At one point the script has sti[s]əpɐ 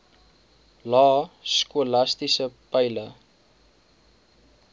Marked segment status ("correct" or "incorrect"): correct